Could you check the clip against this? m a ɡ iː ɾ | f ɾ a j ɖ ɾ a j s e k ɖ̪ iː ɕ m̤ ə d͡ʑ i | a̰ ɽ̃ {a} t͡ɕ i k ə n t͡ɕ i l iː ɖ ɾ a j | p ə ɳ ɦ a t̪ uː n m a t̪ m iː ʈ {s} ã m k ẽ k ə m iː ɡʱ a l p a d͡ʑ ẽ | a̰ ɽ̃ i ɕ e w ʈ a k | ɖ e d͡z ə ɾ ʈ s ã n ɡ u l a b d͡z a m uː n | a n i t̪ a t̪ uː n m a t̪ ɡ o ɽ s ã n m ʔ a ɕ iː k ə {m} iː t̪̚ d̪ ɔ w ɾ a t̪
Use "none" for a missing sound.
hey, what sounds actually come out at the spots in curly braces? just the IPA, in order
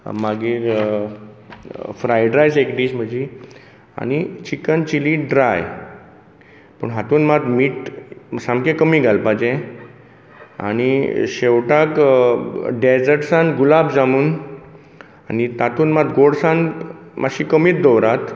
i, s, m

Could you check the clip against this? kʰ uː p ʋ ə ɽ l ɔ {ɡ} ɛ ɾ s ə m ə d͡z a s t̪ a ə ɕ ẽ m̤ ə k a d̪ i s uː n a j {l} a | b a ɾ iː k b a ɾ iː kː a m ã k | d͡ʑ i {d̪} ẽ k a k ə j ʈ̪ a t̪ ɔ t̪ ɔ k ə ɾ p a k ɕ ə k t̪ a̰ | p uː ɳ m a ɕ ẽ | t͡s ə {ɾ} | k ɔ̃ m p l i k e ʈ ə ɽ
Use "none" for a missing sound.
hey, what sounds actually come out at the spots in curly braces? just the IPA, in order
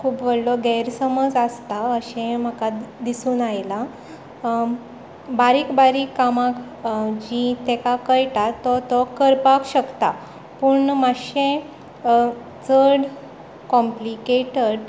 ɡ, l, t̪, ɽ

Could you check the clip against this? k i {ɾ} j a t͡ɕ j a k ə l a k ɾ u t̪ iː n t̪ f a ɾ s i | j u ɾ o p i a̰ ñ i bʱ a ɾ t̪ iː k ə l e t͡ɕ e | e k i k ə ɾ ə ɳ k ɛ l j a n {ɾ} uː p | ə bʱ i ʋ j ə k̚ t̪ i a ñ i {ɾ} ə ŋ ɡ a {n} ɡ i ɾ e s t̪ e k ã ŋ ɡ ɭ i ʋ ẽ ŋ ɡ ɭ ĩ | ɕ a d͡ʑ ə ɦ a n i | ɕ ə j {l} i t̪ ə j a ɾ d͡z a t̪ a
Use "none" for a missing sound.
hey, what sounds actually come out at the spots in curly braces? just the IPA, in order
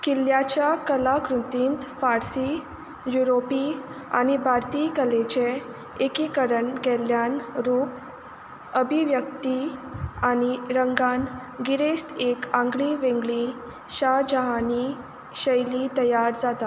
l, ɾ, ɾ, n, l

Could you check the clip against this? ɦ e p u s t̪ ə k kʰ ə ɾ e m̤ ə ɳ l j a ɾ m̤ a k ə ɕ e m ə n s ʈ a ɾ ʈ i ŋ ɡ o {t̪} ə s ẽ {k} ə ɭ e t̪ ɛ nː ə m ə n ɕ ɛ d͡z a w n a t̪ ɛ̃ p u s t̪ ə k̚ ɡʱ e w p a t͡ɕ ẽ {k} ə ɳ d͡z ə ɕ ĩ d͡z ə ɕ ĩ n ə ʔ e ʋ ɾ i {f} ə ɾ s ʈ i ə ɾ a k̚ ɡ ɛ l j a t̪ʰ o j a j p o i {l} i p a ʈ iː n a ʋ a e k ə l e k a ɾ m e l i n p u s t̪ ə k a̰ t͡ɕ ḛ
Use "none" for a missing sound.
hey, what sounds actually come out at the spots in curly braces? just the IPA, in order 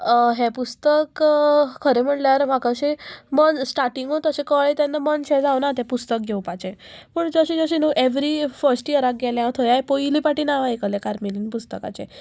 t̪, k, p, f, l

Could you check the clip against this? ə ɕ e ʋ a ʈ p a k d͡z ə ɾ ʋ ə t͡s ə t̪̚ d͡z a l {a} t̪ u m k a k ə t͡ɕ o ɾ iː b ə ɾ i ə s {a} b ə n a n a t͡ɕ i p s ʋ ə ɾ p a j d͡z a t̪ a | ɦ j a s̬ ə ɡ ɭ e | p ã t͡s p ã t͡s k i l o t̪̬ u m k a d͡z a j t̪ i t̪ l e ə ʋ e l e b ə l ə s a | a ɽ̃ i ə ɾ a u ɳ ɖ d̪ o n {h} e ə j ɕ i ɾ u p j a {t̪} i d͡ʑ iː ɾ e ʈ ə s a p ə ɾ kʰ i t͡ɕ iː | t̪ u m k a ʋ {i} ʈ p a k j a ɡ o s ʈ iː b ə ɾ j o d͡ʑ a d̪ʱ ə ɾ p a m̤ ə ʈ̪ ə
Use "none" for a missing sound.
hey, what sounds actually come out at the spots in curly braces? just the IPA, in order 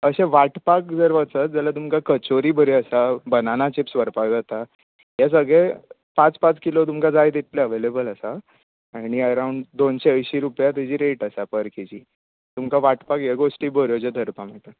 a, a, ɕ, t̪, a

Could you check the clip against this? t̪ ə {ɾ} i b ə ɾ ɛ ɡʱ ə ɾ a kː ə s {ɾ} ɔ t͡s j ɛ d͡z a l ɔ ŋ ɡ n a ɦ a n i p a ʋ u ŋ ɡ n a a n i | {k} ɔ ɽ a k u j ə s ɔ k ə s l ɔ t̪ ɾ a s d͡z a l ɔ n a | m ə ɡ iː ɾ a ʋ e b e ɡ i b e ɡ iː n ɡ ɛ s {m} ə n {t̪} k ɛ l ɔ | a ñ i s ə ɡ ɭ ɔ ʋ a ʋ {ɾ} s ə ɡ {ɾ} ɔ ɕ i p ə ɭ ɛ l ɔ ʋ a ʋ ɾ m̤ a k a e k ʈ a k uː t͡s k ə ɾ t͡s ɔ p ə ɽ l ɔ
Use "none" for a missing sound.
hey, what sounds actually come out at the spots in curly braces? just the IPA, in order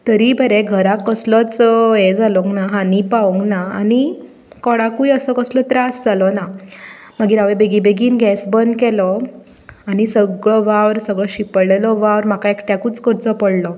ɾ, l, k, b, d̪, ɾ, ɭ

